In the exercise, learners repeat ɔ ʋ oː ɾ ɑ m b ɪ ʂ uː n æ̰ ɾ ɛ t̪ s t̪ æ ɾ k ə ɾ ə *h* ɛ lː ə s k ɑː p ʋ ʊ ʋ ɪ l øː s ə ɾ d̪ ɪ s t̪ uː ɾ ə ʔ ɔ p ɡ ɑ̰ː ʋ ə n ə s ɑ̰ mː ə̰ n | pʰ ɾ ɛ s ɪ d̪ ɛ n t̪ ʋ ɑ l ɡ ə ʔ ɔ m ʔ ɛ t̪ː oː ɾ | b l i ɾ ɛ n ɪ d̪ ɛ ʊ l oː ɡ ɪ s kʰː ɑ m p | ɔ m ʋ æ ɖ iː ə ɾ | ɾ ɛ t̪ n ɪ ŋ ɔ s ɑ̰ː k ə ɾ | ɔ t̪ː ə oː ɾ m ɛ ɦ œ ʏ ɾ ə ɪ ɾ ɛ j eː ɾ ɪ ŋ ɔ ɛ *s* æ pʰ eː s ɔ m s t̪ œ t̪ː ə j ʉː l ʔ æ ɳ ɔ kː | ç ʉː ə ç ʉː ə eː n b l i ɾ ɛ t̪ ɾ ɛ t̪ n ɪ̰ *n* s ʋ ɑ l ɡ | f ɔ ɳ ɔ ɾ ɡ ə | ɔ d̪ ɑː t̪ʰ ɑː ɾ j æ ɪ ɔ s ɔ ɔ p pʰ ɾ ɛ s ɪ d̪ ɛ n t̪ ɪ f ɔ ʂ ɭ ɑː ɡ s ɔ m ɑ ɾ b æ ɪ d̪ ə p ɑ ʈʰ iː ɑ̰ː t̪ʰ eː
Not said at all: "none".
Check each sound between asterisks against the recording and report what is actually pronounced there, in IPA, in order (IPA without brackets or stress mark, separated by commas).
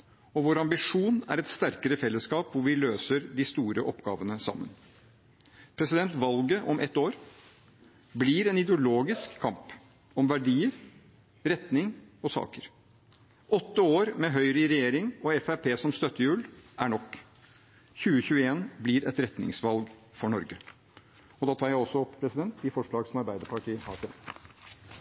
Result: f, f, ŋ